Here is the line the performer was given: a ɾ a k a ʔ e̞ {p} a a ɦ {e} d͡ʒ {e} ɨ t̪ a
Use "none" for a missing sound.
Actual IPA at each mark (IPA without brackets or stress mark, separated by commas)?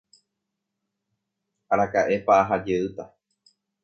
p, a, e